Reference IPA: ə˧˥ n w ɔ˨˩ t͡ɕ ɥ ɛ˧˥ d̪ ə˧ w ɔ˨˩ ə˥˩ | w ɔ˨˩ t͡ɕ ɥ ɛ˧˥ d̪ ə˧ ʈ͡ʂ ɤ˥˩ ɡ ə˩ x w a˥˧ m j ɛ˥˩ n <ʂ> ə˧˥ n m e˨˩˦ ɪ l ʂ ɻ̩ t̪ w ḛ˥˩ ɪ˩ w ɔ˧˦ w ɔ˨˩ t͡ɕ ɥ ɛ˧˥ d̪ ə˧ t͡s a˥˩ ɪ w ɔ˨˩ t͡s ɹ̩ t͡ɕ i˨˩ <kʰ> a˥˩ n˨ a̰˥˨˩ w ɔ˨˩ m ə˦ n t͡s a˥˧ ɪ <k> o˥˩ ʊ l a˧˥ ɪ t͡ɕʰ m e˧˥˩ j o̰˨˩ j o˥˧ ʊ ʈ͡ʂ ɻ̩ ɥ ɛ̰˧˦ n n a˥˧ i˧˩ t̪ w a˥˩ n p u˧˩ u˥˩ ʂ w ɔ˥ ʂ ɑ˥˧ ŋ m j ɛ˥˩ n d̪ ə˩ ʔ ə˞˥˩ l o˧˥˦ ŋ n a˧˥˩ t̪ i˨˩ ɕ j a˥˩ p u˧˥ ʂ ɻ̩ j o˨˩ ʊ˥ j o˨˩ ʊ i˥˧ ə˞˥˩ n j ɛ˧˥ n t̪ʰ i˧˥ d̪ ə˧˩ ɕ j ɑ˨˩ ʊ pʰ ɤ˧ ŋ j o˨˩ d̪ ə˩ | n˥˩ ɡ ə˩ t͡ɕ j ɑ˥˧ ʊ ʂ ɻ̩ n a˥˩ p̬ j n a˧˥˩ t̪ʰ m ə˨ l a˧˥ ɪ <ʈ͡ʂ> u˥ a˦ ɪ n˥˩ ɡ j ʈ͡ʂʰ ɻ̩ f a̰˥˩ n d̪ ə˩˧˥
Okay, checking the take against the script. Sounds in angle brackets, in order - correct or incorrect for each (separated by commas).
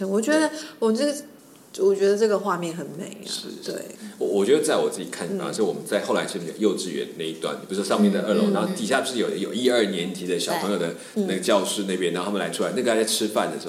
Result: incorrect, correct, incorrect, incorrect